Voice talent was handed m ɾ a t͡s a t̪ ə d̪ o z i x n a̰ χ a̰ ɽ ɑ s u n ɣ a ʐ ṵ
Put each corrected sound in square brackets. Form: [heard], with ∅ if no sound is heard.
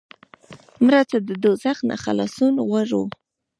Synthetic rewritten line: m ɾ a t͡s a [d̪] ə d̪ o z [a] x n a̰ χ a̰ [l] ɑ s u n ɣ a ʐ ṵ